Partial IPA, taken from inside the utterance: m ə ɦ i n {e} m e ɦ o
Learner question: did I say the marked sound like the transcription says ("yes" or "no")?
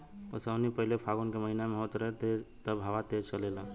no